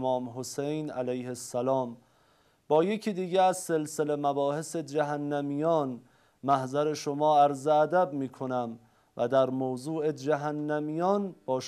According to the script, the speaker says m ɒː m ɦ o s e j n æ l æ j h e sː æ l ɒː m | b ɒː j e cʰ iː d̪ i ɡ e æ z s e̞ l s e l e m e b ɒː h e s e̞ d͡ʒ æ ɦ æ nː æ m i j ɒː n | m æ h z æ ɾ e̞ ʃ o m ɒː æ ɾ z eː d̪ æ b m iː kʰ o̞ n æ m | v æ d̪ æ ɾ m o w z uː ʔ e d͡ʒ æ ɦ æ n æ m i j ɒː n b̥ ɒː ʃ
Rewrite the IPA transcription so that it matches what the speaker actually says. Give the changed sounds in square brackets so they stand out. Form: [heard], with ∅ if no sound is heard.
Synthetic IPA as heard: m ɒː m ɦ o s e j n æ l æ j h e sː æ l ɒː m | b ɒː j e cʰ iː d̪ [iː] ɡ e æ z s e̞ l s e l e m [æ] b ɒː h e s e̞ d͡ʒ æ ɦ æ nː æ m i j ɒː n | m æ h z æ ɾ e̞ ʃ o m ɒː æ ɾ z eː d̪ æ b m iː kʰ o̞ n æ m | v æ d̪ æ ɾ m o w z uː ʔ e d͡ʒ æ ɦ æ [nː] æ m i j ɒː n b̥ ɒː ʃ